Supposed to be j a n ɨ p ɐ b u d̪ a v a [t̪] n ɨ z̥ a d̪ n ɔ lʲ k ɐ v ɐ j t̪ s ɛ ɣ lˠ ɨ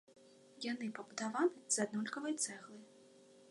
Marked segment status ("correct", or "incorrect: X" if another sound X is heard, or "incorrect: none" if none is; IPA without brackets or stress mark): incorrect: none